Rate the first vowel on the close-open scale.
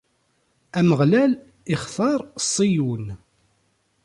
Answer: open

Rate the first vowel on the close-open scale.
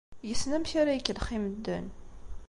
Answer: mid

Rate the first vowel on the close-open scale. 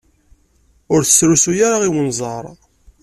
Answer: close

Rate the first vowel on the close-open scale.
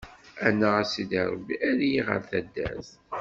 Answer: open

